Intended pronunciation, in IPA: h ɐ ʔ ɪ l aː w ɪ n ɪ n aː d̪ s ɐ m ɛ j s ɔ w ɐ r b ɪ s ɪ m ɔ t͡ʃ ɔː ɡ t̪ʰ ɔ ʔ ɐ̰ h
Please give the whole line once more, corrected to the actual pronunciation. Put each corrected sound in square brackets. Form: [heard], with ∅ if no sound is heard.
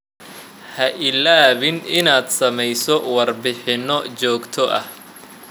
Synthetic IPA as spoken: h ɐ ʔ ɪ l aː [β] ɪ n ɪ n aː d̪ s ɐ m ɛ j s ɔ w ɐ r b ɪ [ħ] ɪ [n] ɔ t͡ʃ ɔː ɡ t̪ʰ ɔ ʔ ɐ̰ h